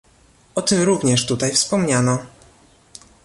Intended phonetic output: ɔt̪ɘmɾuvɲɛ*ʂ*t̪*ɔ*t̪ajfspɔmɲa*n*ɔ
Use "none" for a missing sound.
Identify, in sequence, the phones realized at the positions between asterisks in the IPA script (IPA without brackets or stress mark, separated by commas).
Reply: ʂ, u, n